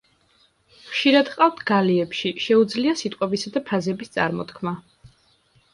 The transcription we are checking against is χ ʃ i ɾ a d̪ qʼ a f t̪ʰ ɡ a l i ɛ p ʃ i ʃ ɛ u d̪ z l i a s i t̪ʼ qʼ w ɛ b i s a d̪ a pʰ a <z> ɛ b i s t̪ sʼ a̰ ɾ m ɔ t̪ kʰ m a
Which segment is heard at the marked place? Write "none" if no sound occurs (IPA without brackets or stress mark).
z